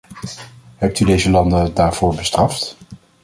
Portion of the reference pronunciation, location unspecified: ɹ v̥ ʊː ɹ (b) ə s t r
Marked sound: correct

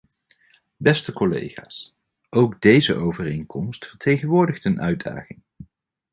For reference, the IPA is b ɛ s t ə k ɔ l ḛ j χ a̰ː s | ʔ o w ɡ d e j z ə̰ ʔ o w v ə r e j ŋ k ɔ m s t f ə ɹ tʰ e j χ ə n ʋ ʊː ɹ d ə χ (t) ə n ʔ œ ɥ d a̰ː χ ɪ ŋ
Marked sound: correct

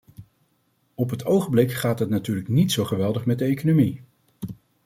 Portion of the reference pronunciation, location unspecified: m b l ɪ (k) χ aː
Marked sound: correct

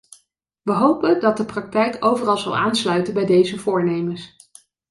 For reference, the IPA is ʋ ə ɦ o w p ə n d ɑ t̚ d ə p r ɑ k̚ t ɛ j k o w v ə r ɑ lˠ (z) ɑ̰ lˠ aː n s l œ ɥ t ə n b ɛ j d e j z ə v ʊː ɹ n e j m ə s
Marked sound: correct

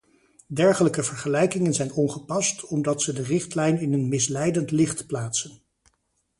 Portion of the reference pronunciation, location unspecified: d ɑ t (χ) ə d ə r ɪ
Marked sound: incorrect: s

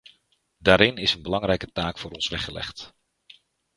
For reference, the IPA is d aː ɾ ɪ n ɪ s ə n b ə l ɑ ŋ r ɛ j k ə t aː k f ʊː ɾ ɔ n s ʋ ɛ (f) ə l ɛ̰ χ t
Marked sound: incorrect: χ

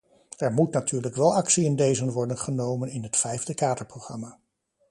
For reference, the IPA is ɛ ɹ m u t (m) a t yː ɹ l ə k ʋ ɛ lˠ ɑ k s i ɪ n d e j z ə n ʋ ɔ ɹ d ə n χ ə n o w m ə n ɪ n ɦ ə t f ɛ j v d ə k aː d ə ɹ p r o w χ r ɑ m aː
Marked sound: incorrect: n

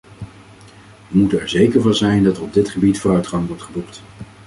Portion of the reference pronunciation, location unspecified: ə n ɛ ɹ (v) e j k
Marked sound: incorrect: z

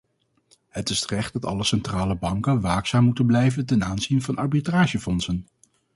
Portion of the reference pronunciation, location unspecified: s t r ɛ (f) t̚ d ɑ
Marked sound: incorrect: χ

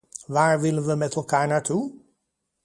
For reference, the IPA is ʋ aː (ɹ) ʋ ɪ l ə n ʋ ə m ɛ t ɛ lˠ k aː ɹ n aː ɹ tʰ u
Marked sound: correct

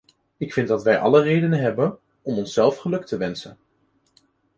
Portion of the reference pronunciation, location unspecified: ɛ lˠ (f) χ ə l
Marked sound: correct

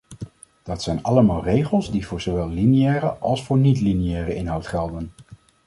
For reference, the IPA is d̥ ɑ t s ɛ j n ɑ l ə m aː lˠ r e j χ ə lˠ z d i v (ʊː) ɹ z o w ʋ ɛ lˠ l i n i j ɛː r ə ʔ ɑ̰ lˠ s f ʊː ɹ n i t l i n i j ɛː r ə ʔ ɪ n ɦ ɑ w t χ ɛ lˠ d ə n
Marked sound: correct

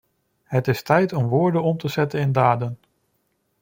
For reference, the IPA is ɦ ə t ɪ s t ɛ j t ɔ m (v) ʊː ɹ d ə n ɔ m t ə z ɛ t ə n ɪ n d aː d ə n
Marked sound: incorrect: ʋ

